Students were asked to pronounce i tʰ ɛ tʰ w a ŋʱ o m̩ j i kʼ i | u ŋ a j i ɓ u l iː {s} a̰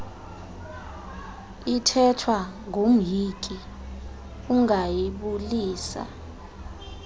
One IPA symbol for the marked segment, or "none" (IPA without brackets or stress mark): s